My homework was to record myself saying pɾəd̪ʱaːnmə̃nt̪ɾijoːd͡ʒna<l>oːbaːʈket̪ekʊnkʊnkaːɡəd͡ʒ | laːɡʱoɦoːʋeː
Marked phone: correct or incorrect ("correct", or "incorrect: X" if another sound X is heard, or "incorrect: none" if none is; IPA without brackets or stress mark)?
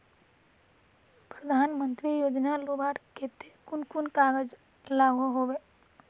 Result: correct